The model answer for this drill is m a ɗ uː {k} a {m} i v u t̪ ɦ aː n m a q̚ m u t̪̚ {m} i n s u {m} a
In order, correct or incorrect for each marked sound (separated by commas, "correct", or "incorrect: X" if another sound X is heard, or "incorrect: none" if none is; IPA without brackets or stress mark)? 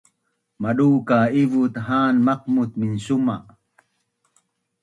correct, incorrect: none, correct, correct